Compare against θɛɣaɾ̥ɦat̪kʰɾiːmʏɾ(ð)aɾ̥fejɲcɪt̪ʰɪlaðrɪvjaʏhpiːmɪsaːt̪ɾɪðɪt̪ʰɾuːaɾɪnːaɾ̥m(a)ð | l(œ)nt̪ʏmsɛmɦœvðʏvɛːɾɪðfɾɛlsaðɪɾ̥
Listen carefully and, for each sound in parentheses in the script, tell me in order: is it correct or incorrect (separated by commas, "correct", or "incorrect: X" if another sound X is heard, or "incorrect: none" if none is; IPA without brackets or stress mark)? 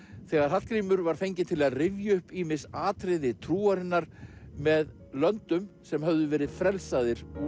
incorrect: v, incorrect: ɛ, correct